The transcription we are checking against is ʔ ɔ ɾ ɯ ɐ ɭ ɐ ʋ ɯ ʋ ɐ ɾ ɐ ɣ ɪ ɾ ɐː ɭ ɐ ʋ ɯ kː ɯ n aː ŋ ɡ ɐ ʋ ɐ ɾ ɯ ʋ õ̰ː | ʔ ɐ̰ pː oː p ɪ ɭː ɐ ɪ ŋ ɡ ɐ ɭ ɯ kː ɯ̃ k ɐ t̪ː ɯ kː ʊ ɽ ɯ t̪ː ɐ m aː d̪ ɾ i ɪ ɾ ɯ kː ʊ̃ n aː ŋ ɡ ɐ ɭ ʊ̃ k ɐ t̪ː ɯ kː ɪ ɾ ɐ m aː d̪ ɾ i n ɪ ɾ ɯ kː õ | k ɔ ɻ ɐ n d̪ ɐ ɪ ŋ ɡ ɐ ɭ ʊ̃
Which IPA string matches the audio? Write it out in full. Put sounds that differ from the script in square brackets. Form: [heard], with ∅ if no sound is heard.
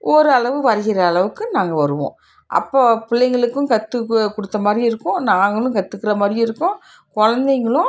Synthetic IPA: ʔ ɔ ɾ ɯ ɐ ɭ ɐ ʋ ɯ ʋ ɐ ɾ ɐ ɣ ɪ ɾ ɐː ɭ ɐ ʋ ɯ kː ɯ n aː ŋ ɡ ɐ ʋ ɐ ɾ ɯ ʋ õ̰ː | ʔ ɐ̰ pː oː p ɪ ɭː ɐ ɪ ŋ ɡ ɐ ɭ ɯ kː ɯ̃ k ɐ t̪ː ɯ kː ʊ ɽ ɯ t̪ː ɐ m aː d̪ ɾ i ɪ ɾ ɯ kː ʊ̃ n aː ŋ ɡ ɐ ɭ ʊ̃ k ɐ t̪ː ɯ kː ɪ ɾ ɐ m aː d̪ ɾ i [∅] ɪ ɾ ɯ kː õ | k ɔ ɻ ɐ n d̪ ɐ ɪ ŋ ɡ ɐ ɭ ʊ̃